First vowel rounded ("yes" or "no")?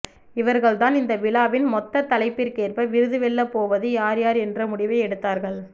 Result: no